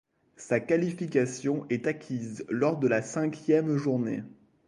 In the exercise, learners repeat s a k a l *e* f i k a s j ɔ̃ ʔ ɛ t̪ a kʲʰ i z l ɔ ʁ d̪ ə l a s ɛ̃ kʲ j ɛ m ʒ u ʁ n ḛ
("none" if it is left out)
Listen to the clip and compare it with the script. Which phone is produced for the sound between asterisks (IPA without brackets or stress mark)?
i